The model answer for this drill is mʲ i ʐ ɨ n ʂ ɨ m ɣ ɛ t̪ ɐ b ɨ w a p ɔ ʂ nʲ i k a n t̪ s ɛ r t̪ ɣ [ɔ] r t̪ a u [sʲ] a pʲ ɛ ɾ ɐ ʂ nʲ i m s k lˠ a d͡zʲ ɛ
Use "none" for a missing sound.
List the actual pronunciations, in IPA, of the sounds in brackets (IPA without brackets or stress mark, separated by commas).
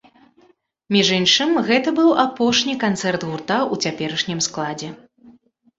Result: u, t͡sʲ